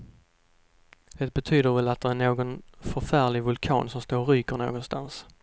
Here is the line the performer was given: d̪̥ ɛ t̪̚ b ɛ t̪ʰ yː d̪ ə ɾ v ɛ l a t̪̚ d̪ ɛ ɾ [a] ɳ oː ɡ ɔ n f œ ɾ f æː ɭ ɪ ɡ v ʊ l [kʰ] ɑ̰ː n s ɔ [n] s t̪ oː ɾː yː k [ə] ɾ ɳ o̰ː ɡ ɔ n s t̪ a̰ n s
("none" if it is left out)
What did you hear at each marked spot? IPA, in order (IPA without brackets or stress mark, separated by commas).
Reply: æ, kʰ, m, ə